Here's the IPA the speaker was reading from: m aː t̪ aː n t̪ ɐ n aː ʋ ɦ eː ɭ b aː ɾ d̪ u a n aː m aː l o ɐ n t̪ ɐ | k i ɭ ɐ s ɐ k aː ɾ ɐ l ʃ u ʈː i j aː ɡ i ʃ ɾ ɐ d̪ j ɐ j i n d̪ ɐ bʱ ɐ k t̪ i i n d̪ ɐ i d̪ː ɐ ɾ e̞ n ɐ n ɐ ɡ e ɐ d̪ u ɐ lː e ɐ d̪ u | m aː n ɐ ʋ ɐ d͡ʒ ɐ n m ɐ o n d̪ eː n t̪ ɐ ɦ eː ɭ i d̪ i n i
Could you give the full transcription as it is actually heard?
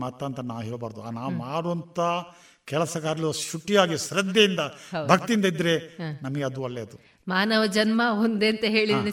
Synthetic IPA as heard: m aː t̪ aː n t̪ ɐ n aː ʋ ɦ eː ɭ b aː ɾ d̪ u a n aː m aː ɽ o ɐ n t̪ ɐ | k ɛ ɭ ɐ s ɐ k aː ɾ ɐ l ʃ u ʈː i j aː ɡ i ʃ ɾ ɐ d̪ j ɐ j i n d̪ ɐ bʱ ɐ k t̪ i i n d̪ ɐ i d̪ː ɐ ɾ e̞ n ɐ m ɐ ɡ e ɐ d̪ u ɐ lː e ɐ d̪ u | m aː n ɐ ʋ ɐ d͡ʒ ɐ n m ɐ o n d̪ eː n t̪ ɐ ɦ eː ɭ i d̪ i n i